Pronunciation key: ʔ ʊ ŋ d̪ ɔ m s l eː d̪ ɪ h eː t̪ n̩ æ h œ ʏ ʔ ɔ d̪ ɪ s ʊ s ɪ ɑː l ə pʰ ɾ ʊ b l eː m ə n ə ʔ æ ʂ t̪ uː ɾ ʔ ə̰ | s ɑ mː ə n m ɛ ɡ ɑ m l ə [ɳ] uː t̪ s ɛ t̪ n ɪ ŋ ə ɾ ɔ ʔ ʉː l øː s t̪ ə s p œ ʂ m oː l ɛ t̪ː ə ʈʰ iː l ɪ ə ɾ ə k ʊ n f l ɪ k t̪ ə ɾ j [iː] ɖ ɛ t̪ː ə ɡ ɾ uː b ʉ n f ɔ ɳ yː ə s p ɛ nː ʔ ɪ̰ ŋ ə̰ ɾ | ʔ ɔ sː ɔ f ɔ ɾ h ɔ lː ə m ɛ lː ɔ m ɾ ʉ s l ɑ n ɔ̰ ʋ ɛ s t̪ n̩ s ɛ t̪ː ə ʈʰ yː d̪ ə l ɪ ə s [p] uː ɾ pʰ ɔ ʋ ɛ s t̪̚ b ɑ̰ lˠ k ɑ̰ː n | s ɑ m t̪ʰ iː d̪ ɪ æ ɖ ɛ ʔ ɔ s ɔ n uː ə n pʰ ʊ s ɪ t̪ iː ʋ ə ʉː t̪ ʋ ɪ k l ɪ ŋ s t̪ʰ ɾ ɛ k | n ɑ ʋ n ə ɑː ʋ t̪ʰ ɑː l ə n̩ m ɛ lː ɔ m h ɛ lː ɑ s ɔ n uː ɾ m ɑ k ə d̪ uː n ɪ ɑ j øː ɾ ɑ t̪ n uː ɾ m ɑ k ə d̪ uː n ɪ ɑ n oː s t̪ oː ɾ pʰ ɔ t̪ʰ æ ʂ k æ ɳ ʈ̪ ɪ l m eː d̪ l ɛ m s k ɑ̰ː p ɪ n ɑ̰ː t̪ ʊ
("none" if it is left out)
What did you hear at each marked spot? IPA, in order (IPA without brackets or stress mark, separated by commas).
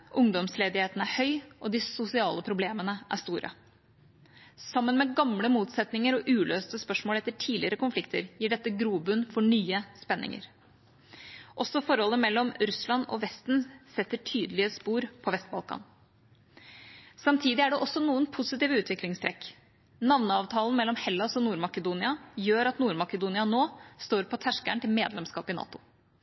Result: m, iː, p